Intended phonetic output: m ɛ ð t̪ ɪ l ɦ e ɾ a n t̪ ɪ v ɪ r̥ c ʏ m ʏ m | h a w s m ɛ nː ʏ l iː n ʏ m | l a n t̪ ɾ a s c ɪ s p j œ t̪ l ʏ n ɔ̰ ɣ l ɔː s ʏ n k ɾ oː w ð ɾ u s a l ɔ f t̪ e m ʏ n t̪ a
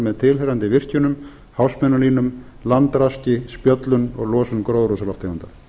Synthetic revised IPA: m ɛ ð t̪ʰ ɪ l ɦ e ɾ a n t̪ ɪ v ɪ r̥ c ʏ n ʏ m | h a w s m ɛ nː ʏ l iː n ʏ m | l a n t̪ ɾ a s c ɪ s p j œ t̪ l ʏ n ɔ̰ ɣ l ɔː s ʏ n k ɾ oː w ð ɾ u s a l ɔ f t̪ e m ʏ n t̪ a